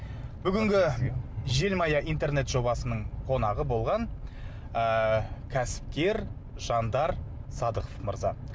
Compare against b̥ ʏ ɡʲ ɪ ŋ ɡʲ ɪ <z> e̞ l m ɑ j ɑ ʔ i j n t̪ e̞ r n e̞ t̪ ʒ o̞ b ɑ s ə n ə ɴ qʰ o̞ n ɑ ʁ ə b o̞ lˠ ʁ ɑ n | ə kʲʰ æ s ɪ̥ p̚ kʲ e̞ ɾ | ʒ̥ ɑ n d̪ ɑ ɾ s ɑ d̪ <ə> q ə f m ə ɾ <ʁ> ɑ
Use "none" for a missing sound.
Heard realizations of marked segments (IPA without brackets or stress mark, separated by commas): ʒ, ə, z